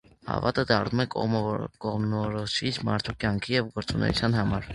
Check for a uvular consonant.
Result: present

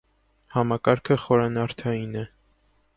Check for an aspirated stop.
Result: present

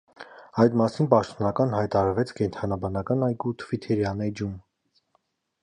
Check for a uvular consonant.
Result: absent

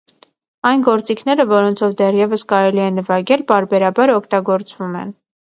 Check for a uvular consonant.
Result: absent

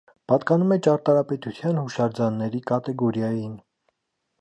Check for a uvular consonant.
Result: absent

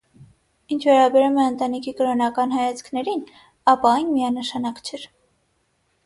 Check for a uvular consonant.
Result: absent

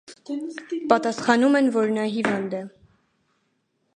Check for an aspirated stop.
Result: absent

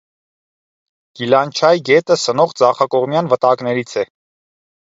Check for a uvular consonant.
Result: present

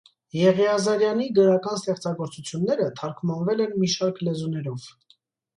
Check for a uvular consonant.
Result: present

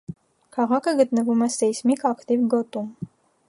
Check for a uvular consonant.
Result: present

